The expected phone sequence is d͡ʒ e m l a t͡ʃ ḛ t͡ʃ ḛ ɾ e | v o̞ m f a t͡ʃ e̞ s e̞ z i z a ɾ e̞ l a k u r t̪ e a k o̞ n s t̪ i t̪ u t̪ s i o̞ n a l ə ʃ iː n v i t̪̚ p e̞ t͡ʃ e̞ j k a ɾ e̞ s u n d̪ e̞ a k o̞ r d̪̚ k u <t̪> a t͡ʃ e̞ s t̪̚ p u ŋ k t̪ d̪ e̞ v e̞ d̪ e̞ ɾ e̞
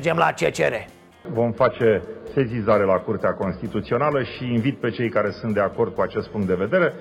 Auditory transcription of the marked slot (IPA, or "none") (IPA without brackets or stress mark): none